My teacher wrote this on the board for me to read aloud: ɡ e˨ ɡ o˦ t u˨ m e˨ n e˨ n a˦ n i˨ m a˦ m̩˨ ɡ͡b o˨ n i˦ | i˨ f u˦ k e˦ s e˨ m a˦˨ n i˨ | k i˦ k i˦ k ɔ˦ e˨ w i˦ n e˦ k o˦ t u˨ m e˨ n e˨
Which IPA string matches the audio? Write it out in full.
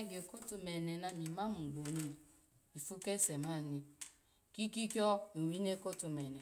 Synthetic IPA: ɡ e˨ k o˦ t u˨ m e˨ n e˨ n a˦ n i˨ m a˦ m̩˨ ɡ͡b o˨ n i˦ | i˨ f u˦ k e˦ s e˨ m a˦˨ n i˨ | k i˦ k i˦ k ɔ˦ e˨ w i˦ n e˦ k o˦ t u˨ m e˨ n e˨